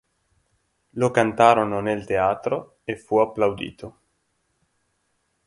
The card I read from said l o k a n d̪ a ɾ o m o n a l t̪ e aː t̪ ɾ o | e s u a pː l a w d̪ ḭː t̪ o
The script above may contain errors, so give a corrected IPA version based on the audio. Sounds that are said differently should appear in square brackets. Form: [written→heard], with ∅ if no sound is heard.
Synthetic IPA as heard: l o k a n [d̪→t̪] a ɾ o [m→n] o n [a→e] l t̪ e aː t̪ ɾ o | e [s→f] u a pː l a w d̪ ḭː t̪ o